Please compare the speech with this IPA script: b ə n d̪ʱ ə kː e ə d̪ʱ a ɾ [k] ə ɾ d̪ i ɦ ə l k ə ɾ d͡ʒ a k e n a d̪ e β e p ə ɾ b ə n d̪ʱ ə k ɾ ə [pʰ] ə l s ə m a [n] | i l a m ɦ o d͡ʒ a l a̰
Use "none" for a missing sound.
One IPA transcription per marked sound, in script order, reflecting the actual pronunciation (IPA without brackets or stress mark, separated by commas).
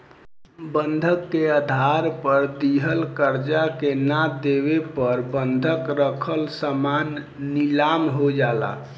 p, kʰ, nː